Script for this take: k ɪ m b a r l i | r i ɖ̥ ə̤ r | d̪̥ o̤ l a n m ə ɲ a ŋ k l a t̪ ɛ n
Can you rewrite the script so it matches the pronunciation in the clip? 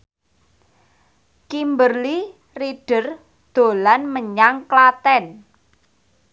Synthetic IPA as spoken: k i m b ə r l i | r i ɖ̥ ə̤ r | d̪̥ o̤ l a n m ə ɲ a ŋ k l a t̪ ɛ n